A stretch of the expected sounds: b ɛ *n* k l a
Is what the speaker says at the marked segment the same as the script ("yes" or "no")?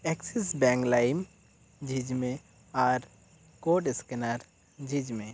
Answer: no